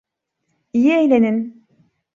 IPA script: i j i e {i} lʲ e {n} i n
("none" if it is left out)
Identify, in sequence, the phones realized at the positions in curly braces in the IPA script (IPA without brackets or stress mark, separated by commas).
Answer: j, n